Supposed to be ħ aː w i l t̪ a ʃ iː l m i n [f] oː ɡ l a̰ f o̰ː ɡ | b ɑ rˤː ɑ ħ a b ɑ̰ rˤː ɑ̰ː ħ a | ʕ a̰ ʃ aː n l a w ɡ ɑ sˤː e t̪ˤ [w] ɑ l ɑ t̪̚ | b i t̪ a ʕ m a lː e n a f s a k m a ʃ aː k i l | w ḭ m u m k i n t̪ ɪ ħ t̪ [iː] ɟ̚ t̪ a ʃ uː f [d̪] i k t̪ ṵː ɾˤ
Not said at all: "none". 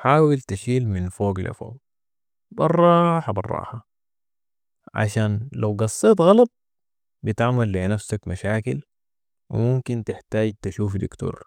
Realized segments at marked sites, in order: f, ɣ, aː, d̪

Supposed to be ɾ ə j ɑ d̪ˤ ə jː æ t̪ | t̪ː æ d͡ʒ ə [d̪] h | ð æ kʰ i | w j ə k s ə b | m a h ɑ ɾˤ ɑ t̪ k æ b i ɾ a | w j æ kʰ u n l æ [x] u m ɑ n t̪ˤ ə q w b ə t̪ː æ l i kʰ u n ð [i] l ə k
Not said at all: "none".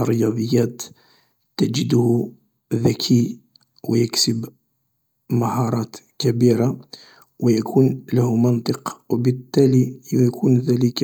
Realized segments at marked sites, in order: d̪, h, æ

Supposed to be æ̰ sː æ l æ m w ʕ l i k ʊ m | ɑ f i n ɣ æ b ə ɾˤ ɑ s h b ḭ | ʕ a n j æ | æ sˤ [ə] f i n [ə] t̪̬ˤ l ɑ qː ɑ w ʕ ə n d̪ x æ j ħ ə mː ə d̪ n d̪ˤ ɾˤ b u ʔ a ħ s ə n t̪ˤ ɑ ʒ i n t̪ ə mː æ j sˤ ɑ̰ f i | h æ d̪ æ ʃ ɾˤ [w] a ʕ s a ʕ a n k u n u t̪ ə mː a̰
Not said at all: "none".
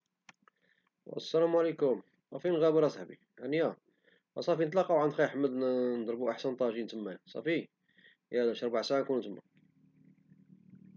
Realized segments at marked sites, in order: ɑ, ə, b

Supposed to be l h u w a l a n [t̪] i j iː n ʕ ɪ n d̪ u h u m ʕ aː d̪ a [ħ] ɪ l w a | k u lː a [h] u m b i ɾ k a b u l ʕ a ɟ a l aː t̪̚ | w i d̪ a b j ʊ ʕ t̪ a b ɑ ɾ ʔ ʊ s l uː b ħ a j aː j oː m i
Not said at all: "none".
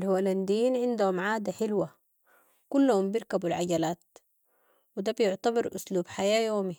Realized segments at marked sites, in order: d̪, ħ, h

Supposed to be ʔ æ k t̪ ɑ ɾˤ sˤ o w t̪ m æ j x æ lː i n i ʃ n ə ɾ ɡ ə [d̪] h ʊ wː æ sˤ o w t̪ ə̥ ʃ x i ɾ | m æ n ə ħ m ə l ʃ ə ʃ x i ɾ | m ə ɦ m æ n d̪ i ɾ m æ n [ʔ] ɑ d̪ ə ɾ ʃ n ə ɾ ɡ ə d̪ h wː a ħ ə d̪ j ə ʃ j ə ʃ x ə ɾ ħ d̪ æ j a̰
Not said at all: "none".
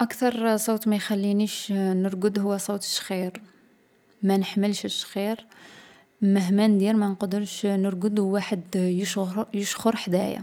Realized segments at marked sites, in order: d̪, q

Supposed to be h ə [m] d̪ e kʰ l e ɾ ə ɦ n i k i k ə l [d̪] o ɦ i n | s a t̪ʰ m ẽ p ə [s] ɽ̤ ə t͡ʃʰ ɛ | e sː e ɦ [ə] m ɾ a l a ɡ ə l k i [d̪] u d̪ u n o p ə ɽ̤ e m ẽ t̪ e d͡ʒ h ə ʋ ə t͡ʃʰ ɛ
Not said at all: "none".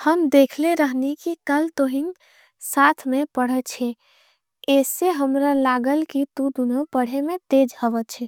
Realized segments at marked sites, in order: m, t̪, none, ə, t̪

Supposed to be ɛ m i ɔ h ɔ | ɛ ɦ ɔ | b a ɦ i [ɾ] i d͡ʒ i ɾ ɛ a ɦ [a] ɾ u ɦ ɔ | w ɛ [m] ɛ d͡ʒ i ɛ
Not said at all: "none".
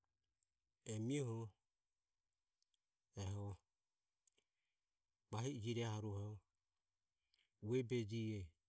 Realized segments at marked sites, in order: none, a, b

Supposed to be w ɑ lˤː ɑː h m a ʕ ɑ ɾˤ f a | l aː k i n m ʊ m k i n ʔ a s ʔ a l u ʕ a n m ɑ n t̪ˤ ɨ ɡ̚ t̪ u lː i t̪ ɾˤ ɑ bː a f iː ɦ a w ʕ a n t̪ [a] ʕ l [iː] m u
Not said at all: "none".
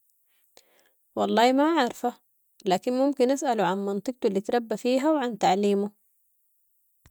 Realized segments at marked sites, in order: a, iː

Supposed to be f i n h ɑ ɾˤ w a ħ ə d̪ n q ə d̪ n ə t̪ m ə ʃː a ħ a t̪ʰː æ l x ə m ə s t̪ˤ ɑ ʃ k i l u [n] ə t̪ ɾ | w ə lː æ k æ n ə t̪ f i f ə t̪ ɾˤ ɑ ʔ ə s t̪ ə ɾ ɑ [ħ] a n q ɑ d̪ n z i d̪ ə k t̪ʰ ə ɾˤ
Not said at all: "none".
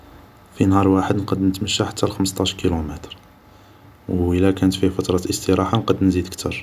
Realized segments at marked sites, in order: m, ħ

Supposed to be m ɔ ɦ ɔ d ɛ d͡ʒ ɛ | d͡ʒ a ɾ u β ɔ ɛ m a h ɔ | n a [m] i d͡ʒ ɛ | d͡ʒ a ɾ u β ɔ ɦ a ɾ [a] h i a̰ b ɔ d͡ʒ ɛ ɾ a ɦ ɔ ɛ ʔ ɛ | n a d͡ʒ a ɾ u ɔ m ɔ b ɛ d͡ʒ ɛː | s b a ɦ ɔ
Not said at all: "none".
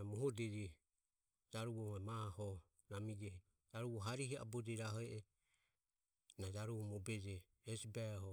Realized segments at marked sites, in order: m, i

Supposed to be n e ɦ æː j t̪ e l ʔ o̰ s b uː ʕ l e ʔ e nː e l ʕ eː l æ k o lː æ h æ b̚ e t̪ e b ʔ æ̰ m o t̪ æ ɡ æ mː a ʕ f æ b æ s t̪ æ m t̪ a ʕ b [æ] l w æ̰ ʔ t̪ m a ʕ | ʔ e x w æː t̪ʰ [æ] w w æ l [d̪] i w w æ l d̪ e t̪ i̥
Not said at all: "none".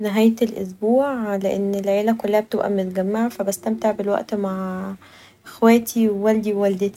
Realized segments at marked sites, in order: e, i, d̪

